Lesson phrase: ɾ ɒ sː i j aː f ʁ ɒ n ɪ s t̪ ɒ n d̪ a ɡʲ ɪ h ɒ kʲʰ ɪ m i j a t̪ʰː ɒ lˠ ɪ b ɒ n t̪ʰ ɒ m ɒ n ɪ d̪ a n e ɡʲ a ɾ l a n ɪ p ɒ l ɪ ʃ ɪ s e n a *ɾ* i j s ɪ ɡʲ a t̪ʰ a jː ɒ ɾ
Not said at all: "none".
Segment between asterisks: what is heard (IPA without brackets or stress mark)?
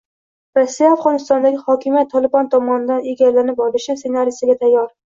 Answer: ɾ